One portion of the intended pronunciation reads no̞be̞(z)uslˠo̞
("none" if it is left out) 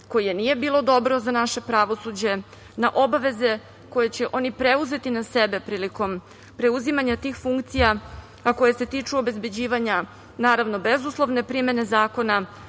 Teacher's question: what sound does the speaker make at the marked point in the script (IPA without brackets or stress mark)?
z